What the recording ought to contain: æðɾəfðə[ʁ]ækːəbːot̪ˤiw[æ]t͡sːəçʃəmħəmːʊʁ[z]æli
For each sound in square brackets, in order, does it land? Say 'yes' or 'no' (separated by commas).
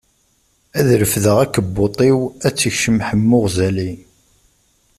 yes, yes, yes